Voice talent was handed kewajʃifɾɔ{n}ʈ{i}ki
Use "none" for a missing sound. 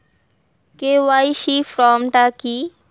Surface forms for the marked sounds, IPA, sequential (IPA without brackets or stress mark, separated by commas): m, a